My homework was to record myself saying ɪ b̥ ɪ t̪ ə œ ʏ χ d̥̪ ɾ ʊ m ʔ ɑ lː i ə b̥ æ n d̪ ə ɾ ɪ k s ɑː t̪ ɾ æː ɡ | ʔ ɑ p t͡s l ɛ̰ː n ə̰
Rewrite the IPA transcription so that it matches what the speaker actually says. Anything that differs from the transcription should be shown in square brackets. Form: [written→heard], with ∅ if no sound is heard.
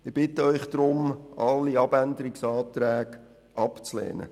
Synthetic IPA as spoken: ɪ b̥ ɪ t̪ ə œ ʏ χ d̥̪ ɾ ʊ m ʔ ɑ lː i [ə→ɑ] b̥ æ n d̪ ə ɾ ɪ k s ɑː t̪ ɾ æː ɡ | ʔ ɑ p t͡s l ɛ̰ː n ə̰